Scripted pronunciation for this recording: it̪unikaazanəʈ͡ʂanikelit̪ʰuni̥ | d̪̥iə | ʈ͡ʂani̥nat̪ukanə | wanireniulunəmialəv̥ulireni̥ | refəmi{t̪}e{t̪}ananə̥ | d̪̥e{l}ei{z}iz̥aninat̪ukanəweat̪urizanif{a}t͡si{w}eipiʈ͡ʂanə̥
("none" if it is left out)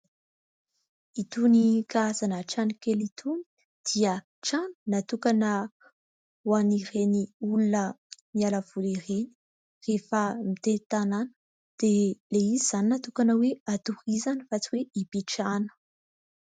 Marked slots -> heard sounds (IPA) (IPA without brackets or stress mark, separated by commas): t̪, t̪, l, z, a, w